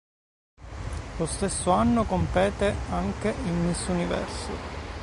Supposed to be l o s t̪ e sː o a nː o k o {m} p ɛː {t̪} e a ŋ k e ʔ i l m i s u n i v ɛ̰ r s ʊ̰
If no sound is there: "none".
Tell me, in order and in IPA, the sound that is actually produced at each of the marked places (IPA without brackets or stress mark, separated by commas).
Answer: m, t̪